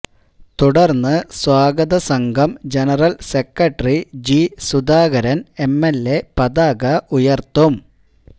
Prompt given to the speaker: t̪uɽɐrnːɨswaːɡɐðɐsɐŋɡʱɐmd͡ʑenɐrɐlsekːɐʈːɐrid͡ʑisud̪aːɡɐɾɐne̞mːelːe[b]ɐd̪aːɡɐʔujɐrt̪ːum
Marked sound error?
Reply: yes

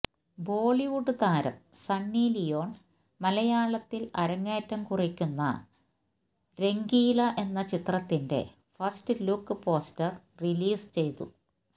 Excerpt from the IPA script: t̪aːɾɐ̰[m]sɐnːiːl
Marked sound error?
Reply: no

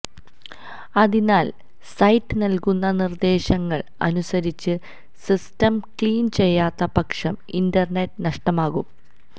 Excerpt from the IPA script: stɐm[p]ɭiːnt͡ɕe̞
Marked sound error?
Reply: yes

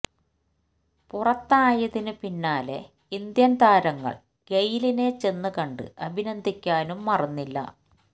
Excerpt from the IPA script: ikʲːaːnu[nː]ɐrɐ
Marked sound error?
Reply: yes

